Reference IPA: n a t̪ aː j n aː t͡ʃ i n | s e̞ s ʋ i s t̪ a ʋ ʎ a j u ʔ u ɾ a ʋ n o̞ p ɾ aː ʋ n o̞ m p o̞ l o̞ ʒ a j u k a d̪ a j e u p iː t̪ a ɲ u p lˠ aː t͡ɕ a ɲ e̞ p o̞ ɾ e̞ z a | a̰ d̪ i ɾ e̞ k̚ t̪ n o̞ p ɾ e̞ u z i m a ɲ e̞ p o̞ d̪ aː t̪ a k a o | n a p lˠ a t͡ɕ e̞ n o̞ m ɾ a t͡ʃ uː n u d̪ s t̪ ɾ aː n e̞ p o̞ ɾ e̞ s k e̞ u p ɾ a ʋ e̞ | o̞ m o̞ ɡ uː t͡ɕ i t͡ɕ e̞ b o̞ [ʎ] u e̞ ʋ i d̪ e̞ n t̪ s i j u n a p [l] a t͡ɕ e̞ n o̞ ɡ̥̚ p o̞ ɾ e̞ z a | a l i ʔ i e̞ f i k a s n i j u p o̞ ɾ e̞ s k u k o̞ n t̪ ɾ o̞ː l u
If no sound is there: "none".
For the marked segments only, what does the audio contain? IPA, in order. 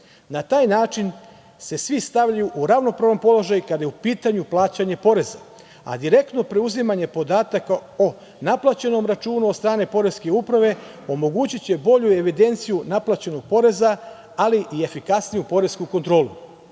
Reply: ʎ, l

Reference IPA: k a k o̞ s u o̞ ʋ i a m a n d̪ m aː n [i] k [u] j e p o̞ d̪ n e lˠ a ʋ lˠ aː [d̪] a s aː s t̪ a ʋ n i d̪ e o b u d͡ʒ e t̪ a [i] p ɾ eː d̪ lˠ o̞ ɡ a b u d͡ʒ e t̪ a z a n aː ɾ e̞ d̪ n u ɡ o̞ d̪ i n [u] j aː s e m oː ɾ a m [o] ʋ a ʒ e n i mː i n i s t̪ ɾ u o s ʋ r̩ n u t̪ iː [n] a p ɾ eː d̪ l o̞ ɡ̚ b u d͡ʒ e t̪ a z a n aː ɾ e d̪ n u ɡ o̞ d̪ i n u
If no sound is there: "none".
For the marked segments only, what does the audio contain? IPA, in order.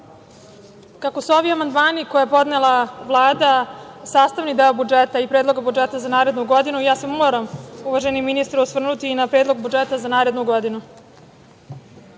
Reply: i, o, d̪, i, u, u, n

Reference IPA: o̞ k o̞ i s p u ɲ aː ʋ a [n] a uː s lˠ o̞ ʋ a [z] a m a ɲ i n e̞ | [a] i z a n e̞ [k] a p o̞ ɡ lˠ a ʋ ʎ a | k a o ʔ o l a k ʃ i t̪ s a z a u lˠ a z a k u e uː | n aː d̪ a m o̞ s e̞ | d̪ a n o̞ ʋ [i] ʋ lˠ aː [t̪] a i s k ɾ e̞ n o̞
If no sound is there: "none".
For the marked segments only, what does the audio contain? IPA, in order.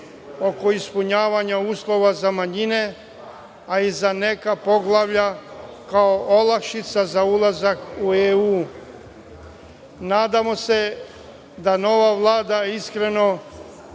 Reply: ɲ, z, a, k, a, d̪

